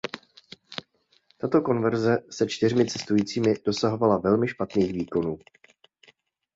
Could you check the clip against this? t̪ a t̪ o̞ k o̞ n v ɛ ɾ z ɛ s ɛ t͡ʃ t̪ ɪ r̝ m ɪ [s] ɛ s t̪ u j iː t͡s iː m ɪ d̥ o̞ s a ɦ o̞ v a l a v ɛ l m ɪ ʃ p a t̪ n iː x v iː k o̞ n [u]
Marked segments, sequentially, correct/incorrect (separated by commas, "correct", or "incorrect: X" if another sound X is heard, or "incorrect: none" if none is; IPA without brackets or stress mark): incorrect: t͡s, incorrect: uː